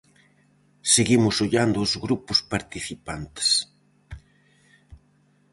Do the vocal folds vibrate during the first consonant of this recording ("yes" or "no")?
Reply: no